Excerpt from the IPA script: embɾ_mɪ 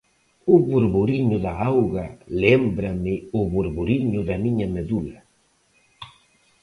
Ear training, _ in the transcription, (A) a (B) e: A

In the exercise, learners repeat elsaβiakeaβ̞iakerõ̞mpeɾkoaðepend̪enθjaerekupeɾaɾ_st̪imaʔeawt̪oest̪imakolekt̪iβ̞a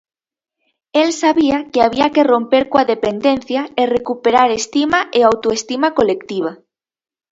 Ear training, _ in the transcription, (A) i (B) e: B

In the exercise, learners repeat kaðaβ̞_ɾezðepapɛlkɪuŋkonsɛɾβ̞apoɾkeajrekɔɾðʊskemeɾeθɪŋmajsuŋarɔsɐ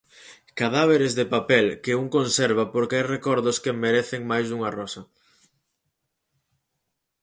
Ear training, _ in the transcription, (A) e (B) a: A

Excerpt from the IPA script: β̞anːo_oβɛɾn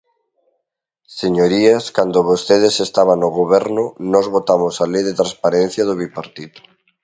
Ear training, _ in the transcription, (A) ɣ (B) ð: A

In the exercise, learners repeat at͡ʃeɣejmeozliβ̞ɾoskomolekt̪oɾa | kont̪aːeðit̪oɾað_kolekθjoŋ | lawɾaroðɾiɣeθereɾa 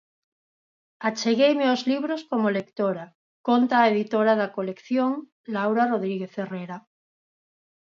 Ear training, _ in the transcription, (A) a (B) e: A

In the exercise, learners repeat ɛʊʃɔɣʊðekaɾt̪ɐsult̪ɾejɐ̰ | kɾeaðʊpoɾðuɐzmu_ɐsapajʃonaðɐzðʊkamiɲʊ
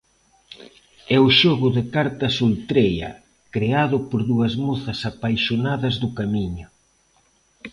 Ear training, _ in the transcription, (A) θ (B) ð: A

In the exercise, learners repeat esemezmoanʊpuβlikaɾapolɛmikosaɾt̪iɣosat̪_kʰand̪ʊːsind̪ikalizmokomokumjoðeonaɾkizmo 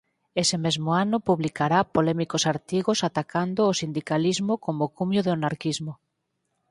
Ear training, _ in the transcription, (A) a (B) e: A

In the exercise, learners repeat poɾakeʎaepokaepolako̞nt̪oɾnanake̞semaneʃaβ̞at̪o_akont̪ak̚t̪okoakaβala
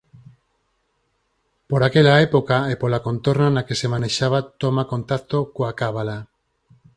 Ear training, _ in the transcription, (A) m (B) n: A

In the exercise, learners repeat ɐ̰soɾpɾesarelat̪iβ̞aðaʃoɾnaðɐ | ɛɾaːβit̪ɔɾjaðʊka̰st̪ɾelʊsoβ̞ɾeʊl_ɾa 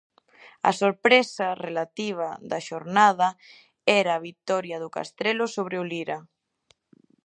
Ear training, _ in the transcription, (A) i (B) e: A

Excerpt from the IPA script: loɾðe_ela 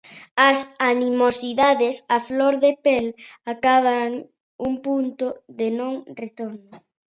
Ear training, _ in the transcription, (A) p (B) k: A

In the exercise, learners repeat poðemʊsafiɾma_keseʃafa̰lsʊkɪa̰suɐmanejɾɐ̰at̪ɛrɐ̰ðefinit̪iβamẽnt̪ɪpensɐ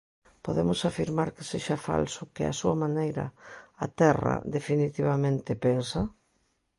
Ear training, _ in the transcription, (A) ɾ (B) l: A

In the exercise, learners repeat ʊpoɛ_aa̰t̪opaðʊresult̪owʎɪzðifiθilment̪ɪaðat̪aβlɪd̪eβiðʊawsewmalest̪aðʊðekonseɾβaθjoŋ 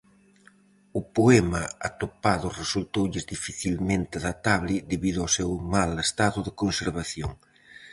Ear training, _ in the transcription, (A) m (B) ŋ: A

